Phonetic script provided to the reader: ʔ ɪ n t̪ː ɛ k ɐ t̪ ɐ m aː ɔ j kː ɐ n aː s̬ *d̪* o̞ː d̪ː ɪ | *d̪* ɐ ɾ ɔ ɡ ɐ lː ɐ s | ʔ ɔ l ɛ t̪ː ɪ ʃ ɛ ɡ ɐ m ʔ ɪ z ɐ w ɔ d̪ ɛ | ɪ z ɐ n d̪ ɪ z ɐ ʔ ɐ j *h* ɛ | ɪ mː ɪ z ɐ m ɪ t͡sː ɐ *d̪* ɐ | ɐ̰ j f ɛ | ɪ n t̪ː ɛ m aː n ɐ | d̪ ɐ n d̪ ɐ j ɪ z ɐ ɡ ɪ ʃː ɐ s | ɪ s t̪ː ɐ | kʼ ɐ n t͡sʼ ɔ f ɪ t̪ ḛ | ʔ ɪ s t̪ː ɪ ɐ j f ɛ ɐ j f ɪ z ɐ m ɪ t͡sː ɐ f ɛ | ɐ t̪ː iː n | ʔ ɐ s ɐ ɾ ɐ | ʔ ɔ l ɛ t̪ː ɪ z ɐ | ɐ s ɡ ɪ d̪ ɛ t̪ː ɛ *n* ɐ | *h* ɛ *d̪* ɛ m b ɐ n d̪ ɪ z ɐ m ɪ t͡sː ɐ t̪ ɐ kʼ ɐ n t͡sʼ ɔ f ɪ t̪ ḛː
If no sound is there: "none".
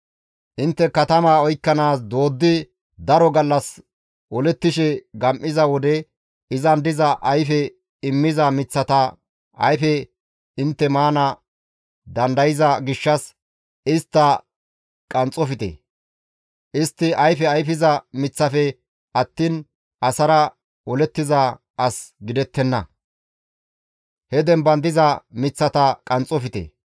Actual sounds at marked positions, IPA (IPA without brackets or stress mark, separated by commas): d̪, d̪, f, t̪, nː, h, d̪